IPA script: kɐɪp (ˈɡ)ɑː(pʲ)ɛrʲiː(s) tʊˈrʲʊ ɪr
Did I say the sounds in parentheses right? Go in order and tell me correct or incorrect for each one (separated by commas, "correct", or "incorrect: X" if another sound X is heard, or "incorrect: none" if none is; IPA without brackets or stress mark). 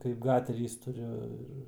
correct, incorrect: tʲ, correct